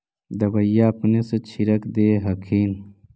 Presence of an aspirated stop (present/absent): present